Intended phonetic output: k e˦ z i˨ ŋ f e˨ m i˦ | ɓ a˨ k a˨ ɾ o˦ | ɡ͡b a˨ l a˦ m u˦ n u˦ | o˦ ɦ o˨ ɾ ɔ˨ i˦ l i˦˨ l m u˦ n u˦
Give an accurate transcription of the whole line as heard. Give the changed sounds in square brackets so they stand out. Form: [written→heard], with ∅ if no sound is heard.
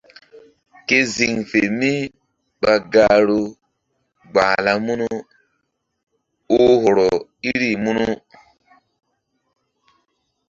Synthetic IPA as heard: k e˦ z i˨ ŋ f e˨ m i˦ | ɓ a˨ [k→ɡ] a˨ ɾ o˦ | ɡ͡b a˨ l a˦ m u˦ n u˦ | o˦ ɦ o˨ ɾ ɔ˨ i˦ [l→ɾ] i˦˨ [l→∅] m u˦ n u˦